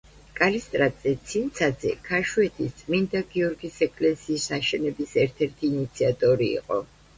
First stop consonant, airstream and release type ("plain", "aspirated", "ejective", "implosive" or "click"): ejective